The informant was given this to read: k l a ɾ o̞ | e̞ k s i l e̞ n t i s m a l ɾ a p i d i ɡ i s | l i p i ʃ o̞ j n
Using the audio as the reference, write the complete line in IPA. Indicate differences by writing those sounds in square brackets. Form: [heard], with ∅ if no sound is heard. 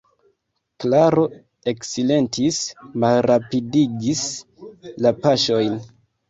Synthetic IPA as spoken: k l a ɾ o̞ | e̞ k s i l e̞ n t i s m a l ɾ a p i d i ɡ i s | l [a] p [a] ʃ o̞ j n